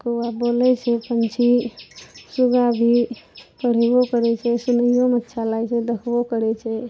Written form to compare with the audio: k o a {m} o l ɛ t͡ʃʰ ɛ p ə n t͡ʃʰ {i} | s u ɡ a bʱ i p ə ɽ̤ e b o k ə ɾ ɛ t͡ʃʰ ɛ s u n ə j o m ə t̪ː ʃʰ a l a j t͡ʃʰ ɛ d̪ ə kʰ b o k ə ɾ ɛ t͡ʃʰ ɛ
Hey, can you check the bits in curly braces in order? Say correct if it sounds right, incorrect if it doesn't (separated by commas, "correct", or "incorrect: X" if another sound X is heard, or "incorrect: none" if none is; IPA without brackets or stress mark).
incorrect: b, correct